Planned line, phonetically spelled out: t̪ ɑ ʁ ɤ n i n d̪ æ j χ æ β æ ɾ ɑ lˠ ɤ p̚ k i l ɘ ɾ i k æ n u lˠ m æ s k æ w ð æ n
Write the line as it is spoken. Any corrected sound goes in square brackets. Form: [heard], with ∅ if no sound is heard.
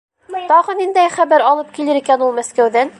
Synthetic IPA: t̪ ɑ ʁ ɤ n i n d̪ æ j χ æ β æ ɾ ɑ lˠ ɤ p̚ k i l ɘ ɾ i k æ n u lˠ m æ s k æ w ð æ n